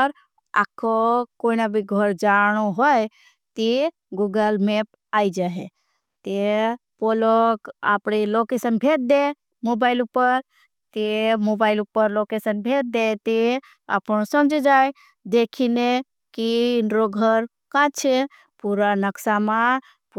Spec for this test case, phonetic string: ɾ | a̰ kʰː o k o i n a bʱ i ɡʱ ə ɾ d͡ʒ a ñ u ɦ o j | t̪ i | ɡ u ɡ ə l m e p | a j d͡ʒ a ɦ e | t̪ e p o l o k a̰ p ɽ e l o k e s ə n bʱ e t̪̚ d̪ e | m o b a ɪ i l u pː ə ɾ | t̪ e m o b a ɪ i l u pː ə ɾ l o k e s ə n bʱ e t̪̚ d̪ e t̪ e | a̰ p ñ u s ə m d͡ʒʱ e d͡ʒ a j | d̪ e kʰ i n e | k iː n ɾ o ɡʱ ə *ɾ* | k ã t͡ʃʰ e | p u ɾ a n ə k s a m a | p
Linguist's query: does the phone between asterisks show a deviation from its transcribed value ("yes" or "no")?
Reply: no